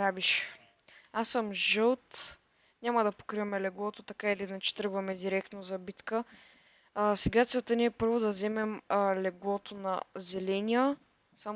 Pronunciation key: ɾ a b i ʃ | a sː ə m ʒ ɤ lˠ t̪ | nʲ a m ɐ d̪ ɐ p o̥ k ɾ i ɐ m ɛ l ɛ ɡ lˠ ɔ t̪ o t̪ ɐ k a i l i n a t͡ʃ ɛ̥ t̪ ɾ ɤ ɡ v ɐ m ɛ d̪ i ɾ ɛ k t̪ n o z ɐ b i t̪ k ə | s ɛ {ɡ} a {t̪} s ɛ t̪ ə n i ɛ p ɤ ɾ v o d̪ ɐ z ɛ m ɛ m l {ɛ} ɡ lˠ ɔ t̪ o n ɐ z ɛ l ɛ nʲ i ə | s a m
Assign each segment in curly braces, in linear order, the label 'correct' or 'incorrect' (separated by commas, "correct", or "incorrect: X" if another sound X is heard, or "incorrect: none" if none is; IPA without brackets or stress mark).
correct, correct, correct